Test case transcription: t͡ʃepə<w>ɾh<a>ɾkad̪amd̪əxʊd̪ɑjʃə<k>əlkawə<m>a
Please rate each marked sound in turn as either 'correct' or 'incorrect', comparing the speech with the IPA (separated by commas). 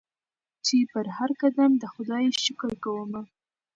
incorrect, correct, correct, correct